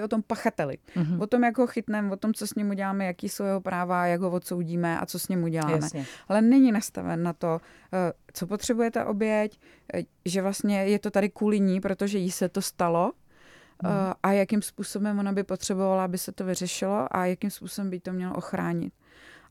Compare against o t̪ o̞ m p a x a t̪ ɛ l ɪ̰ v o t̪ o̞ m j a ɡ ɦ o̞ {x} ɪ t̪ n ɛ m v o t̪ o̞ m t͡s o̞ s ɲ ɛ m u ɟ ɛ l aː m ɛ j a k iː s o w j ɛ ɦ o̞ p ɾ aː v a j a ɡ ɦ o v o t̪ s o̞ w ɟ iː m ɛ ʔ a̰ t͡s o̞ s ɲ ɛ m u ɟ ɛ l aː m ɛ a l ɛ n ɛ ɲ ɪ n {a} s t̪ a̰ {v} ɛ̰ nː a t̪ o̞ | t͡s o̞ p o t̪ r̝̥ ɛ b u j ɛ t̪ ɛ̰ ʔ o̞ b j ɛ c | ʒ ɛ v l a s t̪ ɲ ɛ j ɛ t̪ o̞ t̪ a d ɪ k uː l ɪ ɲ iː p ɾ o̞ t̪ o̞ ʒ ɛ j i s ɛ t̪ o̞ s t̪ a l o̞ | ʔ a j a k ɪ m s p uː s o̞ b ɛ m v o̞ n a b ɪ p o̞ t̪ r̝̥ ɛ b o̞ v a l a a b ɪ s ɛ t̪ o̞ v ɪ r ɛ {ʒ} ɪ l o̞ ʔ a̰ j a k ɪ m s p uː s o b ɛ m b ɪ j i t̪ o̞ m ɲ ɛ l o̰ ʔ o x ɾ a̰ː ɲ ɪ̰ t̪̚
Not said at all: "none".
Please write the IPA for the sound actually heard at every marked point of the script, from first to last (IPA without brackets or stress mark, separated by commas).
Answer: x, a, v, ʃ